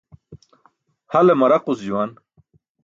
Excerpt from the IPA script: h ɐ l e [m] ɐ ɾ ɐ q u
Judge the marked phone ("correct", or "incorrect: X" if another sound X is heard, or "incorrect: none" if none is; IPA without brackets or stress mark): correct